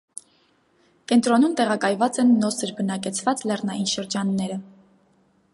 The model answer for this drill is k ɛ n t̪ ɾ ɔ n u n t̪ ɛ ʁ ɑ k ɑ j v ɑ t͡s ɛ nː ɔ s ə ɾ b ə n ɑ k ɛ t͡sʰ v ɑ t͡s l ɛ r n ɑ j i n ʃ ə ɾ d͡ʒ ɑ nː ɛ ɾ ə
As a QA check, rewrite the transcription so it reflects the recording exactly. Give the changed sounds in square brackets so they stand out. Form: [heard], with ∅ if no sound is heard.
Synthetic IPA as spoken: k ɛ n t̪ ɾ ɔ n u [m] t̪ ɛ ʁ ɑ k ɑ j v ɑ t͡s ɛ nː ɔ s ə ɾ b ə n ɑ k ɛ t͡sʰ v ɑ t͡s l ɛ r n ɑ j i n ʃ ə ɾ d͡ʒ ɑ nː ɛ ɾ ə